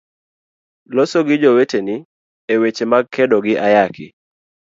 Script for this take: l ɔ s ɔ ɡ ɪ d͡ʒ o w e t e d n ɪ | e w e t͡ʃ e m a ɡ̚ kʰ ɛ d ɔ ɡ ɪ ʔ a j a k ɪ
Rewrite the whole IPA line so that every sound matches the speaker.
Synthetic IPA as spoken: l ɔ s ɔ ɡ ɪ d͡ʒ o w e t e n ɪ | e w e t͡ʃ e m a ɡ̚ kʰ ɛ d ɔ ɡ ɪ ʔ a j a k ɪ